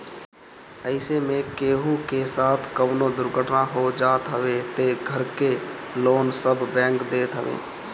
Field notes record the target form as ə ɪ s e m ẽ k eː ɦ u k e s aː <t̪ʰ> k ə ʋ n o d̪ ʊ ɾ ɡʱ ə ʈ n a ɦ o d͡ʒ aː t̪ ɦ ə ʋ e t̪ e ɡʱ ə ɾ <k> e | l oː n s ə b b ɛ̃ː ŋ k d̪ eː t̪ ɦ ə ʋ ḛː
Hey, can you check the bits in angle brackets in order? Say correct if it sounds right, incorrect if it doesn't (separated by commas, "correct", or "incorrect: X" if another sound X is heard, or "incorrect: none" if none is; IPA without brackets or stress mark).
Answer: correct, correct